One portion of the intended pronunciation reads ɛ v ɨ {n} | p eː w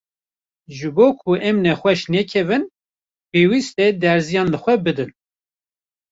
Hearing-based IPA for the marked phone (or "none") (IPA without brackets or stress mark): n